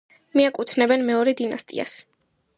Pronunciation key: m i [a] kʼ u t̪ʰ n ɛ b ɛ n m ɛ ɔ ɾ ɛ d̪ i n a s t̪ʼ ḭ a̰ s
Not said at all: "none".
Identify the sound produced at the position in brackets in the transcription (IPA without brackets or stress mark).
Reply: a